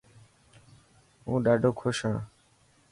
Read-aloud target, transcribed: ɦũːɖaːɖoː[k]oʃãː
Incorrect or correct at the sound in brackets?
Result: incorrect: kʰ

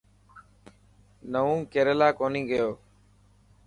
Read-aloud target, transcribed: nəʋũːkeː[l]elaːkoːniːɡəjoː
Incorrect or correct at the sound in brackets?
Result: incorrect: ɾ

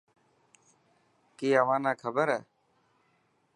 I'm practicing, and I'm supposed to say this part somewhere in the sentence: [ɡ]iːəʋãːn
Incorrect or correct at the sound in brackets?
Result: incorrect: k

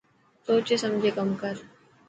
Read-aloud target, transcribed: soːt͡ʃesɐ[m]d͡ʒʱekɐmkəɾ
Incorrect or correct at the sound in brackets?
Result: correct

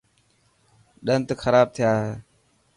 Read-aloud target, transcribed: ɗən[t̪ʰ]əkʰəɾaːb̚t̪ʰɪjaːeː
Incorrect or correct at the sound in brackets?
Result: incorrect: t̪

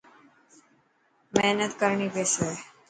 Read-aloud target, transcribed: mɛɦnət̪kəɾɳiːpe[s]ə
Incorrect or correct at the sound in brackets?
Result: correct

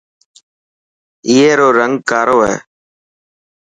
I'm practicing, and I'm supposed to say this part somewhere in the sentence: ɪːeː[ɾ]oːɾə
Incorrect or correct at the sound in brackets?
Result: correct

